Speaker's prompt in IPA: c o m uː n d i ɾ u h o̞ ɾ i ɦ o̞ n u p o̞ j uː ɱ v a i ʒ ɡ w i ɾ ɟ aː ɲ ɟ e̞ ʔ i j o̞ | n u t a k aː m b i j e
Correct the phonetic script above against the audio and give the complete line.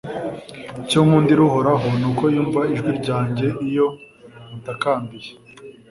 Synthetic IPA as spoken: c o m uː n d i ɾ u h o̞ ɾ a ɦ o̞ n u k o̞ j uː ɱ v a i ʒ ɡ w i ɾ ɟ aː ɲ ɟ e̞ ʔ i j o̞ | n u t a k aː m b i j e